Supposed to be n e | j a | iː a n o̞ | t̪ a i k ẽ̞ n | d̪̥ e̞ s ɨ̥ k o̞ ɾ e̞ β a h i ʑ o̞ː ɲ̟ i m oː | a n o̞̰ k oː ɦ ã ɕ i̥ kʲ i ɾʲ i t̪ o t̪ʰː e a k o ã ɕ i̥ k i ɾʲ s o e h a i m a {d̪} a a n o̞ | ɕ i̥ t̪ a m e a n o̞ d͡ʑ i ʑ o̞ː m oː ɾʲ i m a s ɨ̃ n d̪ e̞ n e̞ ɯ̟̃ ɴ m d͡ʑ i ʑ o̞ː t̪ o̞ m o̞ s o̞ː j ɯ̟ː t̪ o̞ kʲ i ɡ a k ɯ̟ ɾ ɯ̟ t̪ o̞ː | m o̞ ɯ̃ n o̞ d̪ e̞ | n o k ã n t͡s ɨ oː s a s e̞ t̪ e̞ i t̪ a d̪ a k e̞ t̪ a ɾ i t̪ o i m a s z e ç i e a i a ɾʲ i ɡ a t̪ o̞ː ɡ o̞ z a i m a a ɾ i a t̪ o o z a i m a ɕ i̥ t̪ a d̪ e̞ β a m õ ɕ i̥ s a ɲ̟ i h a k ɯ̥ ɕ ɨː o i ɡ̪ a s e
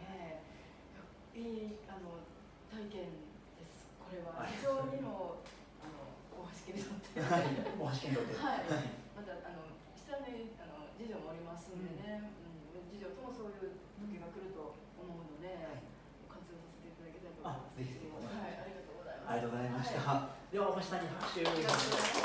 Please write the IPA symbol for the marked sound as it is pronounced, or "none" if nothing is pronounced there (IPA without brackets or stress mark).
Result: t̪